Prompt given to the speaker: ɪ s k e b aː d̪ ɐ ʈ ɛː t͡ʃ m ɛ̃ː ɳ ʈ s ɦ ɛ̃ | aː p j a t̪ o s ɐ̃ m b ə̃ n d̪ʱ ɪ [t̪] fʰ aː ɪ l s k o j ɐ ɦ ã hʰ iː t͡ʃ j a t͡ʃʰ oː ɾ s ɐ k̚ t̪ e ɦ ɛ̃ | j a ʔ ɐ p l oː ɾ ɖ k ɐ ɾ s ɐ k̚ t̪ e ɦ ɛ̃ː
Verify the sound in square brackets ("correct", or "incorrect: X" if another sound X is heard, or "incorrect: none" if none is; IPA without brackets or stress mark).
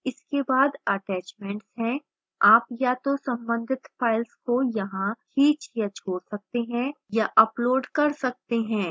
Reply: correct